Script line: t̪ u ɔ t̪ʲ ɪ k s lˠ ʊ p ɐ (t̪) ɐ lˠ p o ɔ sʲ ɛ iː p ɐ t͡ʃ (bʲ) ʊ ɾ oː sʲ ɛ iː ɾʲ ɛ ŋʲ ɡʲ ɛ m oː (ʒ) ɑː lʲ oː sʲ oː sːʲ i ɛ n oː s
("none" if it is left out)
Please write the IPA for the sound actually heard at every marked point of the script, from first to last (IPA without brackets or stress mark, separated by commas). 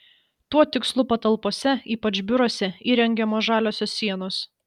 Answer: t̪, bʲ, ʒ